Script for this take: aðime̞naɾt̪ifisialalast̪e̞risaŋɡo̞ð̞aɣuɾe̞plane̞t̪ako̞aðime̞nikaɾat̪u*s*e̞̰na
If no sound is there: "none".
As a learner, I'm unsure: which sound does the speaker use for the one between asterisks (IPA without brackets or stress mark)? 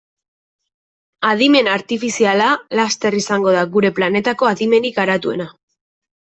none